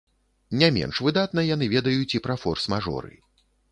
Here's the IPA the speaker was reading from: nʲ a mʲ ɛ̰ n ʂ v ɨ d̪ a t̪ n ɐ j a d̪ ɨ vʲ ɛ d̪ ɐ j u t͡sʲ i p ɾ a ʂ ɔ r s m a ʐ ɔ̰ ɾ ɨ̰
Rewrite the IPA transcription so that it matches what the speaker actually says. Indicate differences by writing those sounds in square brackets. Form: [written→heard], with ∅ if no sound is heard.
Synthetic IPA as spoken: nʲ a mʲ ɛ̰ n ʂ v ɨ d̪ a t̪ n ɐ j a [d̪→n̪] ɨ vʲ ɛ d̪ ɐ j u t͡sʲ i p ɾ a [ʂ→f] ɔ r s m a ʐ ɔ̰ ɾ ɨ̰